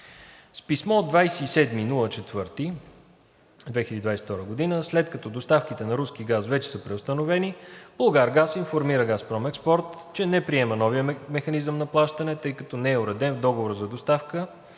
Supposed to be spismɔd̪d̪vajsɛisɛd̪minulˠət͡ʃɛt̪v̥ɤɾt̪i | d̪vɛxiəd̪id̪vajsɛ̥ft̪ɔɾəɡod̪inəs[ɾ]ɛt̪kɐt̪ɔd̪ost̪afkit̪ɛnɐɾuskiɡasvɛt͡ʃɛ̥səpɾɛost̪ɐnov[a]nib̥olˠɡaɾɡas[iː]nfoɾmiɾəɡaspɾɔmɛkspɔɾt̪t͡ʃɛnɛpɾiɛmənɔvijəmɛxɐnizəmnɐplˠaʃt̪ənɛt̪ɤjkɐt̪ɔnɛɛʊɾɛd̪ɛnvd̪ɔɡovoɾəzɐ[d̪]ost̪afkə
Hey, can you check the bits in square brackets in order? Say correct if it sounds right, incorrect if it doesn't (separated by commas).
incorrect, incorrect, incorrect, correct